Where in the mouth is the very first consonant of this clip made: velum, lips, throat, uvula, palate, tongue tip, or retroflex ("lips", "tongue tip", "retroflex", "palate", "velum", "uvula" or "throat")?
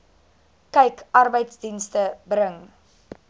velum